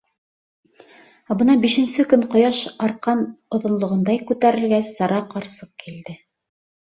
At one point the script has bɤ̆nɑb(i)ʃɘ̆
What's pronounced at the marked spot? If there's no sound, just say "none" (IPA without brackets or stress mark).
i